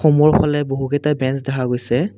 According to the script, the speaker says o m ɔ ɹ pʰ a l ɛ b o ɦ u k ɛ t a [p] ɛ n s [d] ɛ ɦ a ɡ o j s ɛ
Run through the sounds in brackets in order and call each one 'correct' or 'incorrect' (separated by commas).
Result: incorrect, correct